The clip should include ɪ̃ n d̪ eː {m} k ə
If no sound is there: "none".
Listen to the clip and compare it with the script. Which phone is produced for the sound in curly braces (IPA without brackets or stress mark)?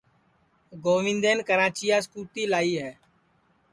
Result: n